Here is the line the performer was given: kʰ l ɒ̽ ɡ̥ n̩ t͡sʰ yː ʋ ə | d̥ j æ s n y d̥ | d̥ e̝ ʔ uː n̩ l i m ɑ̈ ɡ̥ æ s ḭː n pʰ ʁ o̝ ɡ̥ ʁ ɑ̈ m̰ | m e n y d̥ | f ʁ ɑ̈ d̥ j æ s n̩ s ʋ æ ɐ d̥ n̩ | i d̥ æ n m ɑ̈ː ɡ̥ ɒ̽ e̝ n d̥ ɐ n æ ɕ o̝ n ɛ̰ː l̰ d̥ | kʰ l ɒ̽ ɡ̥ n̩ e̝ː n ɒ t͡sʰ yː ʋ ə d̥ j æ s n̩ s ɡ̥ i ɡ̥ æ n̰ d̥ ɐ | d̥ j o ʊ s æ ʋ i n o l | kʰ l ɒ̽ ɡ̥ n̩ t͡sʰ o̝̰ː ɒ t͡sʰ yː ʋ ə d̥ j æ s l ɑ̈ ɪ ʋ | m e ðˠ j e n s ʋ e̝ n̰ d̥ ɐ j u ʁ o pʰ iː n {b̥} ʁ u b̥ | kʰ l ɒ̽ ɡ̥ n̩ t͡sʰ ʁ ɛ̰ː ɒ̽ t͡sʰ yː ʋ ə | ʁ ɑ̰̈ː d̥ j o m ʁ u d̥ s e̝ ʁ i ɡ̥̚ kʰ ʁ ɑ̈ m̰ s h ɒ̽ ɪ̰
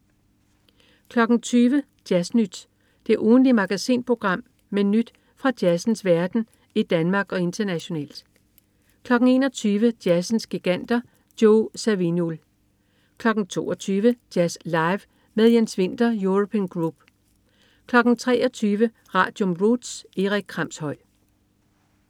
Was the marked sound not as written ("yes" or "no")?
yes